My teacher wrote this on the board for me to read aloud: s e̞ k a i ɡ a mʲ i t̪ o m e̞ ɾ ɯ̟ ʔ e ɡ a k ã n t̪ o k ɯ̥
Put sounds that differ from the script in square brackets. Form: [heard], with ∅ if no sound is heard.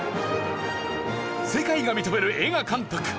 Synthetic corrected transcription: s e̞ k a i ɡ a mʲ i t̪ o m e̞ ɾ ɯ̟ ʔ e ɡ a k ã n t̪ o k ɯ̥